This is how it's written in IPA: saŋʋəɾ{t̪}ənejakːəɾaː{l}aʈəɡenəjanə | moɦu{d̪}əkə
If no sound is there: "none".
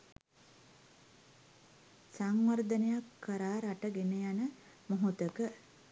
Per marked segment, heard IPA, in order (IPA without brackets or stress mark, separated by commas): d̪, ɾ, t̪